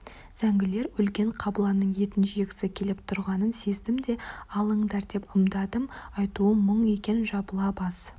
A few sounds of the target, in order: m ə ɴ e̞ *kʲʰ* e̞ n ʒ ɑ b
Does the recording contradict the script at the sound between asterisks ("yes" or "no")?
yes